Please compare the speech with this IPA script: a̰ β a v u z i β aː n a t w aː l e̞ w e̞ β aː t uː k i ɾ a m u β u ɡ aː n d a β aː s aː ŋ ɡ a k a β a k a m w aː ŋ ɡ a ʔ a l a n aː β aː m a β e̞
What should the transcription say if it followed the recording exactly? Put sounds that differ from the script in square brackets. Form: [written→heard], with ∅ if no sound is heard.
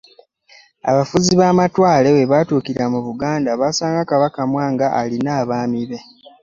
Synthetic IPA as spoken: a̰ β a [v→f] u z i β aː [n→m] a t w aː l e̞ w e̞ β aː t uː k i ɾ a m u β u ɡ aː n d a β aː s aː ŋ ɡ a k a β a k a m w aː ŋ ɡ a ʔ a l [a→i] n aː β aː m [a→i] β e̞